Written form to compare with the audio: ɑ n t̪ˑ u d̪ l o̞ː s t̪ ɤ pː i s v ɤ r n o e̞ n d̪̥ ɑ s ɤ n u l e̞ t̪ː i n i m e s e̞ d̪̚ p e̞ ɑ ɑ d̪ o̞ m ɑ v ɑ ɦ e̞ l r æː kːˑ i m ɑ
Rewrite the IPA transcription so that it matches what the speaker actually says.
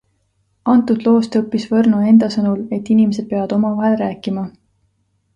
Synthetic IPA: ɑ n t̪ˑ u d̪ l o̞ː s t̪ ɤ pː i s v ɤ r n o e̞ n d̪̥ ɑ s ɤ n u l e̞ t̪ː i n i m e s e̞ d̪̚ p e̞ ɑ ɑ d̪ o̞ m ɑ v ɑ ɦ e̞ l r æː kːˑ i m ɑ